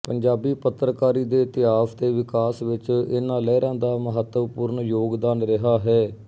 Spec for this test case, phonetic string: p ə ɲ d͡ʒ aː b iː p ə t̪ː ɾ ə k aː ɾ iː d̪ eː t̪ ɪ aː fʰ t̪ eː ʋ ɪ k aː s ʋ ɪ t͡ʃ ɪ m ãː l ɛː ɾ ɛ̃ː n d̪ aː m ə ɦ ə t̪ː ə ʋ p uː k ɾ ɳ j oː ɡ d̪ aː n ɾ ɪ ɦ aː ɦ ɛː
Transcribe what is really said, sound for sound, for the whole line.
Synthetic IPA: p ə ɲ d͡ʒ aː b iː p ə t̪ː ɾ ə k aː ɾ iː d̪ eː t̪ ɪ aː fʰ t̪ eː ʋ ɪ k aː s ʋ ɪ t͡ʃ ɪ n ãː l ɛː ɾ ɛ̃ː n d̪ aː m ə ɦ ə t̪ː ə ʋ p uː ɾ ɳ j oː ɡ d̪ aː n ɾ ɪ ɦ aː ɦ ɛː